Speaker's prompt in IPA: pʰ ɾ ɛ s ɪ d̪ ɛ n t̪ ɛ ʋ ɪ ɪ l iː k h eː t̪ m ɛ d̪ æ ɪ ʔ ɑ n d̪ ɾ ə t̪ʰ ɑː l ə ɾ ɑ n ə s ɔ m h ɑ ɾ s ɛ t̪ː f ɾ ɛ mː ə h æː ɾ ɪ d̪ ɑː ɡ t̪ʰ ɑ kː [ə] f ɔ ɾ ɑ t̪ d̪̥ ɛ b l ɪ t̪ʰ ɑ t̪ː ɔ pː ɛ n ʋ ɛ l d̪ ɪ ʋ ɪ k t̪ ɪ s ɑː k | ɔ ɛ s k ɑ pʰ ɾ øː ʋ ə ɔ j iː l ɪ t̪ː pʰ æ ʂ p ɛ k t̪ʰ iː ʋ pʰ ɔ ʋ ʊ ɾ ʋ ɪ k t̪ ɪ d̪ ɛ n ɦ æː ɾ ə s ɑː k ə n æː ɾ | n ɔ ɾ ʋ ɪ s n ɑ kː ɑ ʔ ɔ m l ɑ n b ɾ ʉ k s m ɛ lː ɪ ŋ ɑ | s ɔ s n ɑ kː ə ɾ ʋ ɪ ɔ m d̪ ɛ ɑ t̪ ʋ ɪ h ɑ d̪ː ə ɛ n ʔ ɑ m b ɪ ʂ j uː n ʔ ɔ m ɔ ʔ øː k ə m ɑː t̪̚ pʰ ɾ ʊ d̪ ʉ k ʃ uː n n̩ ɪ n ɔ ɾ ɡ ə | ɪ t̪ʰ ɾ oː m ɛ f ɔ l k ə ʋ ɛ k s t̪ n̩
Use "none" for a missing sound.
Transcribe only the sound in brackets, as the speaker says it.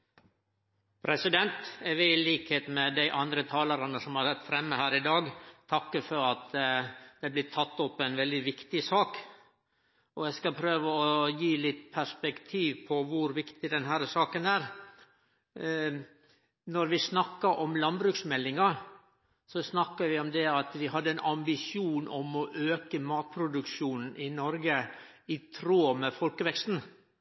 ə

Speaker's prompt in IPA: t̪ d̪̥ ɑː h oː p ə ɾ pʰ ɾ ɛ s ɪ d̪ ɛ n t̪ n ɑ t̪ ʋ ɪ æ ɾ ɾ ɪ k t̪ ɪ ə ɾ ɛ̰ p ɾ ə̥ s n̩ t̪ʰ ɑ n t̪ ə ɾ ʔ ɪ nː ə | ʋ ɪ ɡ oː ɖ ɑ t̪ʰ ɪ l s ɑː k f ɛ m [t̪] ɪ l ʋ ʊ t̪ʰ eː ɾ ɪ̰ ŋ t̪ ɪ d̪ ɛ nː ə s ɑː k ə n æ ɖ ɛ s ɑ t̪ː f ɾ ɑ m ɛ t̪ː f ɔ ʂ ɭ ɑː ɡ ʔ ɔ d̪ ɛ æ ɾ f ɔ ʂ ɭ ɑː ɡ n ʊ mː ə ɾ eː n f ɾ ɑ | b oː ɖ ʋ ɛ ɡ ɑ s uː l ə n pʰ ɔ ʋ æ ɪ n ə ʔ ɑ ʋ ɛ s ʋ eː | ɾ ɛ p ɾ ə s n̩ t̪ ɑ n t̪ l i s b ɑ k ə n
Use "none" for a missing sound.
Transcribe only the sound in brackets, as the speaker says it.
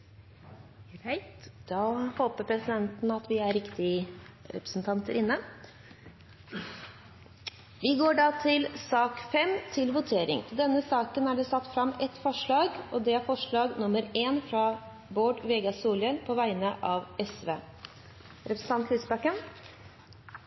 t̪ʰ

